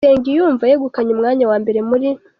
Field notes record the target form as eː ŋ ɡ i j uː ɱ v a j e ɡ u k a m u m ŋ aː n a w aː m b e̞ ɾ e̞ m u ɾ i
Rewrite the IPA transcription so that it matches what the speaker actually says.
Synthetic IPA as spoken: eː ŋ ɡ i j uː ɱ v a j e ɡ u k a ɲ u m ŋ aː ɲ a w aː m b e̞ ɾ e̞ m u ɾ i